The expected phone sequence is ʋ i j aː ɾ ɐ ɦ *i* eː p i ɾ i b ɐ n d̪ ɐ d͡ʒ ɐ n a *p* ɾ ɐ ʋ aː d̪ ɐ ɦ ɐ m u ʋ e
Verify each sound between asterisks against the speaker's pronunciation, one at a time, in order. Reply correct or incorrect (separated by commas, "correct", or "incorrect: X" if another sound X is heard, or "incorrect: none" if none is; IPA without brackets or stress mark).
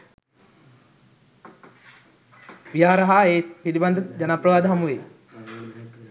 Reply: incorrect: a, correct